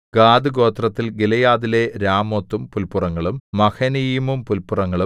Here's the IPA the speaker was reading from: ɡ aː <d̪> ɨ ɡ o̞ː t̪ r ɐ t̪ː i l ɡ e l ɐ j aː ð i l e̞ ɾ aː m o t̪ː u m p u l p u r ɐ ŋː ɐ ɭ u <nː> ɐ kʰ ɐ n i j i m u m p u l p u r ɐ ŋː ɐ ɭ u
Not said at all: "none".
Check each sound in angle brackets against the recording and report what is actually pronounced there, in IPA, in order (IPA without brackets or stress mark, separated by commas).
d̪, mː